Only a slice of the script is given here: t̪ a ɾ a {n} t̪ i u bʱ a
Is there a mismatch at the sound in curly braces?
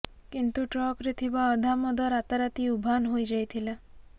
yes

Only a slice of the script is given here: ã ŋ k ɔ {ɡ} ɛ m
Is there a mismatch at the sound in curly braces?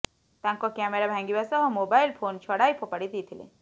yes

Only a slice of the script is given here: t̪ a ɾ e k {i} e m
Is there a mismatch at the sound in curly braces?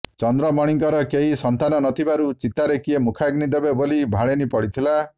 no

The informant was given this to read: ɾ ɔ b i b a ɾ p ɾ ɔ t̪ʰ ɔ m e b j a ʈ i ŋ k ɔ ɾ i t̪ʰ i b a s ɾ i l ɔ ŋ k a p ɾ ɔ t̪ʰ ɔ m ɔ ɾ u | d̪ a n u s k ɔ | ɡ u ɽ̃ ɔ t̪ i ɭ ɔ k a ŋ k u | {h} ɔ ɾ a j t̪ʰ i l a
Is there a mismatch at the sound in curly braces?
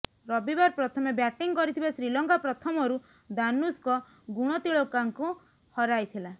no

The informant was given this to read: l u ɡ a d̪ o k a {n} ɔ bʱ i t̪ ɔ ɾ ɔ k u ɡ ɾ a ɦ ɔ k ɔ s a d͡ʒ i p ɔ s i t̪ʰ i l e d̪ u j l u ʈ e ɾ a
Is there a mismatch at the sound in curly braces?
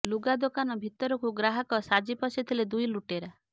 no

